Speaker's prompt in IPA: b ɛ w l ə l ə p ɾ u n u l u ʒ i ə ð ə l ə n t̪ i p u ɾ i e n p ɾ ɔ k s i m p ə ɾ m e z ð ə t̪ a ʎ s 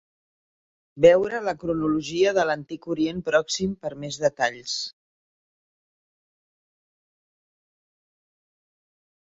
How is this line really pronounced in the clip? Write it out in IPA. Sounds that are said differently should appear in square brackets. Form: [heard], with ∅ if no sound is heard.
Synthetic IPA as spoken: b ɛ w [ɾ] ə l ə [k] ɾ u n u l u ʒ i ə ð ə l ə n t̪ i [k] u ɾ i e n p ɾ ɔ k s i m p ə ɾ m e z ð ə t̪ a ʎ s

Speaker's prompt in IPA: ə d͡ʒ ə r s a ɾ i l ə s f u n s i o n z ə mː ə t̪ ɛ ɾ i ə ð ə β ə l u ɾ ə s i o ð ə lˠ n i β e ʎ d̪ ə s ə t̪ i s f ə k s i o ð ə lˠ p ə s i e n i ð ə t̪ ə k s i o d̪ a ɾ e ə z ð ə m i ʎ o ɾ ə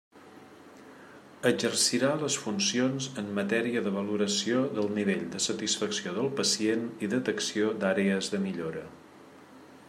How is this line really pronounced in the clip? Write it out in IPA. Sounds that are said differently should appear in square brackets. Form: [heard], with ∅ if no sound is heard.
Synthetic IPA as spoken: ə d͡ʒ ə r s [i] ɾ [a] l ə s f u n s i o n z ə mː ə t̪ ɛ ɾ i ə ð ə β ə l u ɾ ə s i o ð ə lˠ n i β e ʎ d̪ ə s ə t̪ i s f ə k s i o ð ə lˠ p ə s i e n i ð ə t̪ ə k s i o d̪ a ɾ e ə z ð ə m i ʎ o ɾ ə

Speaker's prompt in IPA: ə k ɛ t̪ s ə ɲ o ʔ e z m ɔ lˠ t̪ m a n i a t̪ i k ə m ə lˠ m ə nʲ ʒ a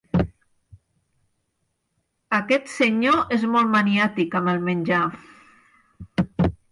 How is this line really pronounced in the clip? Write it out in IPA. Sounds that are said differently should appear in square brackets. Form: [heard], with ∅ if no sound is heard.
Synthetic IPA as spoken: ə k ɛ t̪ s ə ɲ o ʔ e z m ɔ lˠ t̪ m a n i a t̪ i k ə m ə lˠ m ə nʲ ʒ a

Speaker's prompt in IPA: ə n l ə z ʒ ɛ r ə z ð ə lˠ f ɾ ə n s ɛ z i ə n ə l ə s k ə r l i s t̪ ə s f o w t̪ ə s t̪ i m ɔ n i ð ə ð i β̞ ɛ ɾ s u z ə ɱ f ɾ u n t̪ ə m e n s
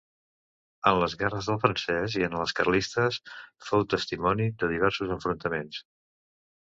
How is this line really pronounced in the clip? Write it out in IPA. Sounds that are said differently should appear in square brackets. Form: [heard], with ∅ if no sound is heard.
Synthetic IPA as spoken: ə n l ə z [ɣ] ɛ r ə z ð ə lˠ f ɾ ə n s ɛ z i ə n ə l ə s k ə r l i s t̪ ə s f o w t̪ ə s t̪ i m ɔ n i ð ə ð i β̞ ɛ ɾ s u z ə ɱ f ɾ u n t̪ ə m e n s

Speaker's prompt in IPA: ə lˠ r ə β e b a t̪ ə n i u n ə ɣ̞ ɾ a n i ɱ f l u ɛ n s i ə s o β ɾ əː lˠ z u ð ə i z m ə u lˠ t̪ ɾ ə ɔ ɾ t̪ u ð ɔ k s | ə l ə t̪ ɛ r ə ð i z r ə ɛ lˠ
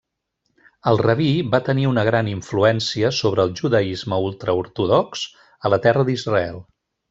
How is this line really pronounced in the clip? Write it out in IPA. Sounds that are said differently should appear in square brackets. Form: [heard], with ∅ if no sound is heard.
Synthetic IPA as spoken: ə lˠ r ə β [i] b a t̪ ə n i u n ə ɣ̞ ɾ a n i ɱ f l u ɛ n s i ə s o β ɾ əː lˠ [ʒ] u ð ə i z m ə u lˠ t̪ ɾ ə [u] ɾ t̪ u ð ɔ k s | ə l ə t̪ ɛ r ə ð i z r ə ɛ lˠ

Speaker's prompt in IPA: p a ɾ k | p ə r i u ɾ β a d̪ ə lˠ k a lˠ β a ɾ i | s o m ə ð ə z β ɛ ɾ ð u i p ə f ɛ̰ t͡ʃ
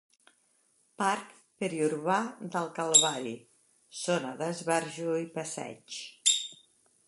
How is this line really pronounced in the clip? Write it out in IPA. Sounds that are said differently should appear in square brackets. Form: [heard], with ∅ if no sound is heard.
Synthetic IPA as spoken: p a ɾ k | p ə [ɾ] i u ɾ β a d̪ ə lˠ k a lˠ β a ɾ i | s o [n] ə ð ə z β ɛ ɾ [ʒ] u i p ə [s] ɛ̰ t͡ʃ

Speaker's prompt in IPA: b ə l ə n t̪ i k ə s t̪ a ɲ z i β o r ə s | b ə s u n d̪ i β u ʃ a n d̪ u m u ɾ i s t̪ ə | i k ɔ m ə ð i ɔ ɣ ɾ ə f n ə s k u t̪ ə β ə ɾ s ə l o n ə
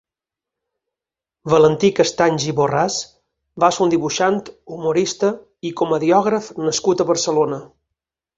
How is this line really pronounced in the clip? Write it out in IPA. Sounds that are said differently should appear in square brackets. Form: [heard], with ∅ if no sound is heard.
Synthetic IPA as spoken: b ə l ə n t̪ i k ə s t̪ a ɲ [ʒ] i β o r [a] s | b [a] s u n d̪ i β u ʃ a n [t̪] u m u ɾ i s t̪ ə | i k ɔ m ə ð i ɔ ɣ ɾ ə f n ə s k u t̪ ə β ə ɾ s ə l o n ə

